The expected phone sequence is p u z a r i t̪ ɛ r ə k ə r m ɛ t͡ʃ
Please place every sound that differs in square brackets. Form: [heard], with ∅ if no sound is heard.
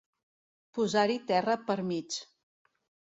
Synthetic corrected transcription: p u z a [ɾ] i t̪ ɛ r ə [p] ə [ɾ] m [i] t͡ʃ